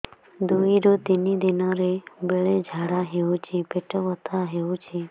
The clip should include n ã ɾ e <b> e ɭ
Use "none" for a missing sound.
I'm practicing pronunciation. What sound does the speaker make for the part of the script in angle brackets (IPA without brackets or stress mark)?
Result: b